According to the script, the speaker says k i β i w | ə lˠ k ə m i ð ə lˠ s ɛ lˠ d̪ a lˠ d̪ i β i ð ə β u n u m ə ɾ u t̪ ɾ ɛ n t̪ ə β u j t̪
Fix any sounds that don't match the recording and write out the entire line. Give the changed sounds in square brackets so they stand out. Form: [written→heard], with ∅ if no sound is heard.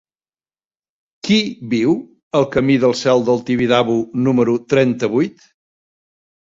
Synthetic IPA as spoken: k i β i w | ə lˠ k ə m i ð ə lˠ s ɛ lˠ d̪ [a→ə] lˠ [d̪→t̪] i β i ð [ə→a] β u n u m ə ɾ u t̪ ɾ ɛ n t̪ ə β u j t̪